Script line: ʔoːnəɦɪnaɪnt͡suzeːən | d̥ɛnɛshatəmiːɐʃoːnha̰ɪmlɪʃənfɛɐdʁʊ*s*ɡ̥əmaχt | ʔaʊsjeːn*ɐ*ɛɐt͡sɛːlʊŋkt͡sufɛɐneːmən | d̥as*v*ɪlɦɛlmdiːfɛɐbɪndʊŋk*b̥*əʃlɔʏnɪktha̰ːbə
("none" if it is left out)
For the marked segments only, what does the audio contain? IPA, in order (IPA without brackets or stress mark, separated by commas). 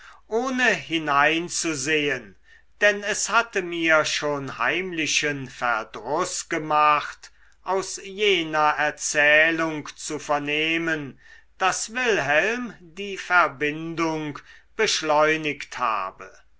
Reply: s, ɐ, v, b̥